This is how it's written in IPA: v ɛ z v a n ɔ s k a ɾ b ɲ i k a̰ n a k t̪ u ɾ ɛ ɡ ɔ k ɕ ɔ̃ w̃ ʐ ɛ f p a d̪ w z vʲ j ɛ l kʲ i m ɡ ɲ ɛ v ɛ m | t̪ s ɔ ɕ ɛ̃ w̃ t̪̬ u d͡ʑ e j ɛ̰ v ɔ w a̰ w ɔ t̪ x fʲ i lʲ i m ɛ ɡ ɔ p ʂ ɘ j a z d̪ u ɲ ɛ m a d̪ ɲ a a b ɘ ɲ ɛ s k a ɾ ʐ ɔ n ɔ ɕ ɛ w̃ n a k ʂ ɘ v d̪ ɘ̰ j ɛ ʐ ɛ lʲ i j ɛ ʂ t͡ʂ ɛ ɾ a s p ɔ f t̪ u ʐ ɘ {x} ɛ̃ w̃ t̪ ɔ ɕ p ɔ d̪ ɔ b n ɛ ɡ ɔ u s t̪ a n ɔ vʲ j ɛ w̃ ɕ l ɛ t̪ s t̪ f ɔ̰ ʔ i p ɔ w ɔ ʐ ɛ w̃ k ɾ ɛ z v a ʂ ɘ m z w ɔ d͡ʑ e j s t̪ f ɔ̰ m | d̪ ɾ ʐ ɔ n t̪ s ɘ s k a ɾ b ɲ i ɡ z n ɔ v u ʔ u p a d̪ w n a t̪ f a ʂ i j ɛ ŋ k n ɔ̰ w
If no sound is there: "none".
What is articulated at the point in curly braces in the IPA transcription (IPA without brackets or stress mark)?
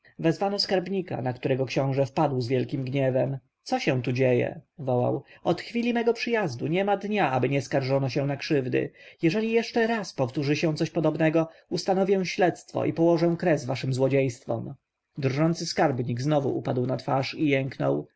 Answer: ɕ